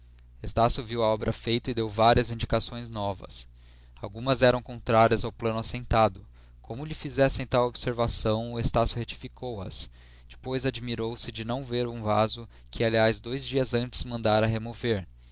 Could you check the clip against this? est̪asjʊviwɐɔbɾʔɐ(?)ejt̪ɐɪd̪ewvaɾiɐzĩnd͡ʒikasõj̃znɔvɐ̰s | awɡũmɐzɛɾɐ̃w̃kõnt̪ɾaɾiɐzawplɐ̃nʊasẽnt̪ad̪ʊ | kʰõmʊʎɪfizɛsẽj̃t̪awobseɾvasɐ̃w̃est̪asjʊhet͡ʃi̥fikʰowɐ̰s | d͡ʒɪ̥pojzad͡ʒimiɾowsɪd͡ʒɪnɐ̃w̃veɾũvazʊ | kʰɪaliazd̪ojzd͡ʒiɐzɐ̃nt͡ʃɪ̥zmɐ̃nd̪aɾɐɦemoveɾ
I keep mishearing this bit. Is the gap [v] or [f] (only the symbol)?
f